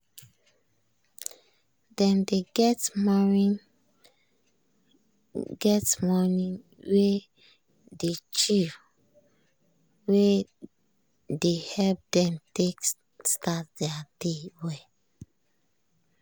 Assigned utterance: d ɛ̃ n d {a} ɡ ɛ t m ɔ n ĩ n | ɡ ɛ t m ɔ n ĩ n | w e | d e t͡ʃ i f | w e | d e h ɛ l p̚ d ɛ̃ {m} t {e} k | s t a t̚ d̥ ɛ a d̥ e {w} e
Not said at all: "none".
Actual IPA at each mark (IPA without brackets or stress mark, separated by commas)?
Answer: e, m, e, w